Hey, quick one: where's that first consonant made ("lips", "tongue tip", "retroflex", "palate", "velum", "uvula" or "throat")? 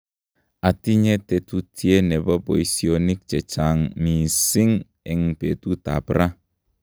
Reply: tongue tip